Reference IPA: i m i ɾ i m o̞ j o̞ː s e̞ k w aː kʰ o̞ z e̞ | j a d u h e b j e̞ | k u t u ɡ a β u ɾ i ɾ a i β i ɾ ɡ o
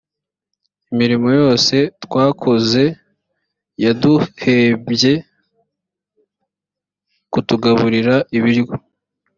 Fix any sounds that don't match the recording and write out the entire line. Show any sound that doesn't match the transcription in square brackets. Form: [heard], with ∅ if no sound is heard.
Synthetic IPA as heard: i m i ɾ i m o̞ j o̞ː s e̞ [t] w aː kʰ o̞ z e̞ | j a d u h e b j e̞ | k u t u ɡ a β u ɾ i ɾ a i β i ɾ ɡ o